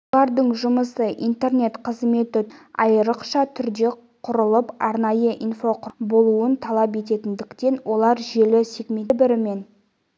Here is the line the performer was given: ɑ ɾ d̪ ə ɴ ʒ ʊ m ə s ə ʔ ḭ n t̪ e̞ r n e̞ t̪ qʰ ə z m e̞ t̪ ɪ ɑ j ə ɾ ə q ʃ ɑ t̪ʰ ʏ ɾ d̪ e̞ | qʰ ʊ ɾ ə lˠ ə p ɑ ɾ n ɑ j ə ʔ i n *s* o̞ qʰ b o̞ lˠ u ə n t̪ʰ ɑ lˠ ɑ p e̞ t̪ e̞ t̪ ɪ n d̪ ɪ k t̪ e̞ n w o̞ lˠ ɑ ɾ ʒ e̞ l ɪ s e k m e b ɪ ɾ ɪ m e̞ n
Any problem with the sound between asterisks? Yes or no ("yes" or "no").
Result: yes